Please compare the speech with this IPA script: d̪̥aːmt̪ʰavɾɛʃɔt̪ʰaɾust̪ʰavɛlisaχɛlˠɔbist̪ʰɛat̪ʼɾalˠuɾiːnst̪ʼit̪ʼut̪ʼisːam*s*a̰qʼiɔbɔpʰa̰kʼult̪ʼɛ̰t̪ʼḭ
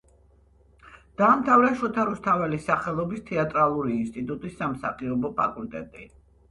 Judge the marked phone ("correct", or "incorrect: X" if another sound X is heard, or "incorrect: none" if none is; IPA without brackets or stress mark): correct